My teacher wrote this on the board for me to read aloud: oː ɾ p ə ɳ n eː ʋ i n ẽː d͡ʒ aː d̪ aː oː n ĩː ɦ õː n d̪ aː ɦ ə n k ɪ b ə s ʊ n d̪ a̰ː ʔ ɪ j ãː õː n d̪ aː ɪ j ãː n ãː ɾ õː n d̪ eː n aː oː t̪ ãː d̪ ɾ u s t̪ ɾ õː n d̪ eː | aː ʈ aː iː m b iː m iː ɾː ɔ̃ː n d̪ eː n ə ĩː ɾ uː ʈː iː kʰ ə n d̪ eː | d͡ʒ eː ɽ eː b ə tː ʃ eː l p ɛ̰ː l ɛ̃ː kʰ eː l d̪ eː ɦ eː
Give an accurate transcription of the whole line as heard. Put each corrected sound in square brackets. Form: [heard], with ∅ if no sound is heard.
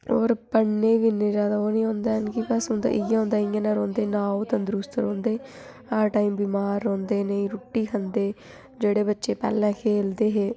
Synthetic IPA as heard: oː ɾ p ə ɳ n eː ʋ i n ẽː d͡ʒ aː d̪ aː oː n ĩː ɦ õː n d̪ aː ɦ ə n k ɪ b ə s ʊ n d̪ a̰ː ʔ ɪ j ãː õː n d̪ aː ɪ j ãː n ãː ɾ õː n d̪ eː n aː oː t̪ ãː d̪ ɾ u s t̪ ɾ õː n d̪ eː | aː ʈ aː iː m b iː m [aː] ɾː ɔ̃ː n d̪ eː n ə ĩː ɾ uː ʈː iː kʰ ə n d̪ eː | d͡ʒ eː ɽ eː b ə tː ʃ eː [∅] p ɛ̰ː l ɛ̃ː kʰ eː l d̪ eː ɦ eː